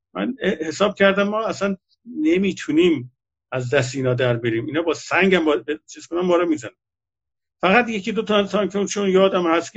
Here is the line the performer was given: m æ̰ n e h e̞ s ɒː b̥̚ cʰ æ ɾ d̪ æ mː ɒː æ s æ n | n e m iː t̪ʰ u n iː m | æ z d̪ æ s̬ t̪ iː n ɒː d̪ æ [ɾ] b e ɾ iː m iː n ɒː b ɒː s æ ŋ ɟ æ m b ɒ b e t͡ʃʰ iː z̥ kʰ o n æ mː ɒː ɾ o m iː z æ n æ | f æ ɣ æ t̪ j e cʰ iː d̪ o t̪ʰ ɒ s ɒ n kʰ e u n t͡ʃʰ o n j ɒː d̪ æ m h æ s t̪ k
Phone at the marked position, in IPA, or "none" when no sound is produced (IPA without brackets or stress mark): ɾ